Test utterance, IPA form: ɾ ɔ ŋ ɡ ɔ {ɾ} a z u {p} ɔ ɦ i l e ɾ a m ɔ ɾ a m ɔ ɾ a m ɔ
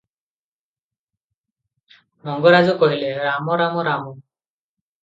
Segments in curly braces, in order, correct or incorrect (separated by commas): correct, incorrect